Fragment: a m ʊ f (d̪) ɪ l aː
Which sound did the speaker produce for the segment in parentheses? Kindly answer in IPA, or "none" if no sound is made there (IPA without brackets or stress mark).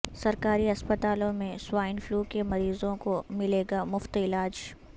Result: t̪